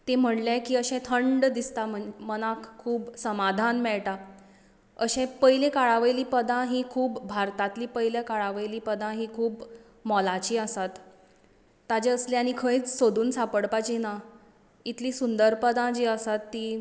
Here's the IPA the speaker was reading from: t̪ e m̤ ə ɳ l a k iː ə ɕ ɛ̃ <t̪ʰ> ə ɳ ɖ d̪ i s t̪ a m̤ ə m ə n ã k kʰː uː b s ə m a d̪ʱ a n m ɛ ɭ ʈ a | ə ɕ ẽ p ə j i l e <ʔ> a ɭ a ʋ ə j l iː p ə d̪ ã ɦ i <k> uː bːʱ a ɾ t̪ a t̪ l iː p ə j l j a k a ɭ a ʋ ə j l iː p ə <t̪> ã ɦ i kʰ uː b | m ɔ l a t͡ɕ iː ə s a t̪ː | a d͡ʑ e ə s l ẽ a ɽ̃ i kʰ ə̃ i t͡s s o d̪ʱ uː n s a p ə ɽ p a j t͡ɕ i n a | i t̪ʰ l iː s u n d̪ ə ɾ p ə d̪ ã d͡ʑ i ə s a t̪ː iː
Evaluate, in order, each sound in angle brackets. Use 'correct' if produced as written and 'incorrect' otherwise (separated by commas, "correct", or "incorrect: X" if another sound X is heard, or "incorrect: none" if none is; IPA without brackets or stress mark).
correct, incorrect: k, incorrect: kʰ, incorrect: d̪